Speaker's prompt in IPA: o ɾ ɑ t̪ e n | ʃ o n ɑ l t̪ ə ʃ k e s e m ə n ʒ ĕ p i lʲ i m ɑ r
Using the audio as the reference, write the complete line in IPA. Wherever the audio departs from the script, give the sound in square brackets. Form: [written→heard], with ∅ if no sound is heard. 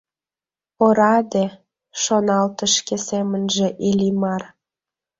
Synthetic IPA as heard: o ɾ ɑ [t̪→d̪] e [n→∅] | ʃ o n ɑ l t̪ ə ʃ k e s e m ə n ʒ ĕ [p→ʔ] i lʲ i m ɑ r